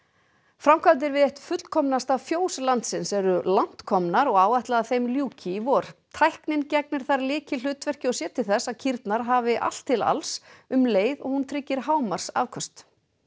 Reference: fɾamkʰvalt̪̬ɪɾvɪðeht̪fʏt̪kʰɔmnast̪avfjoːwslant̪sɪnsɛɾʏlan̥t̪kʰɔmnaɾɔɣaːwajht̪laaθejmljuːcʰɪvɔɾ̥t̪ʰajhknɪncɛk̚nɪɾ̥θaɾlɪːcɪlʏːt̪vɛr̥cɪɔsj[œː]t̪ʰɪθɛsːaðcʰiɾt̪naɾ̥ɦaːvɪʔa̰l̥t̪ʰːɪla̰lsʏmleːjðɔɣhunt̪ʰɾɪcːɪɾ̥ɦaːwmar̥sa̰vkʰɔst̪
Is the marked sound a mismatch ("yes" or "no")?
yes